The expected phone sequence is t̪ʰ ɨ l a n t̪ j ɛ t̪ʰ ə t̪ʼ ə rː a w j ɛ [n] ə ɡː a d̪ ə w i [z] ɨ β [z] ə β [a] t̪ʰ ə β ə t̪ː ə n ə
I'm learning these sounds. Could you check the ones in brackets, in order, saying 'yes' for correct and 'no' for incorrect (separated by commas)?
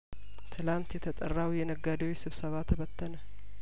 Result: yes, no, no, yes